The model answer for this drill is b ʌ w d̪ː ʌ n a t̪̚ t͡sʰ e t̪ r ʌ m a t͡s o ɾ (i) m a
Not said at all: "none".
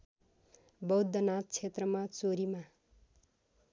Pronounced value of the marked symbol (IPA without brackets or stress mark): i